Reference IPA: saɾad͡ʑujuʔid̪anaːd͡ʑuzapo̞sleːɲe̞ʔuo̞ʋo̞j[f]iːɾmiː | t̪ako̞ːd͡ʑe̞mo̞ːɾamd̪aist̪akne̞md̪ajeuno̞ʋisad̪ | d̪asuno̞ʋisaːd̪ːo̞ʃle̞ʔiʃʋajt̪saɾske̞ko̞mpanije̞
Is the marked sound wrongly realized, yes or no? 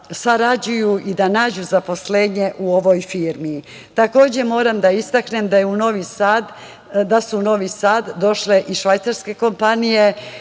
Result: no